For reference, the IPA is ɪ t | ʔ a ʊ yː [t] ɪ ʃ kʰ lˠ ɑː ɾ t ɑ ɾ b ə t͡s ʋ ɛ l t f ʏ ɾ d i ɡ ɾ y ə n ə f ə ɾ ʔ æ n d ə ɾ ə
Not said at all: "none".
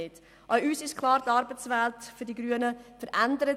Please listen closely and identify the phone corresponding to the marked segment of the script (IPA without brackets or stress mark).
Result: s